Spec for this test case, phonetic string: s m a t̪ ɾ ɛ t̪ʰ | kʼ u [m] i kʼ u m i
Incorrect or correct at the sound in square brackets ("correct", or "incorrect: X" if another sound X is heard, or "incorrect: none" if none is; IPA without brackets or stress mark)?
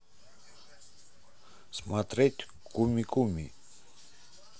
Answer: correct